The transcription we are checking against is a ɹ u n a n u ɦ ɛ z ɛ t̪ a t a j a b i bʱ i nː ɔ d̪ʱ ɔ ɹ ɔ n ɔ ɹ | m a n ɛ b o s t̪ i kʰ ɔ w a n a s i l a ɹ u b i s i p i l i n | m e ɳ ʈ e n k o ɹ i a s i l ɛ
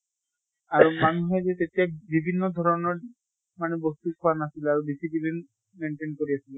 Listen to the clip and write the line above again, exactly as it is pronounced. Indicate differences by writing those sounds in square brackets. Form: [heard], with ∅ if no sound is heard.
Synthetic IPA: a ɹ u [m] a n u ɦ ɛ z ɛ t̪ [e] t [i] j a b i bʱ i nː ɔ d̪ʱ ɔ ɹ ɔ n ɔ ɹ | m a n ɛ b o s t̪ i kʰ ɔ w a n a s i l a ɹ u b i s i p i l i n | m e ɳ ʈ e n k o ɹ i a s i l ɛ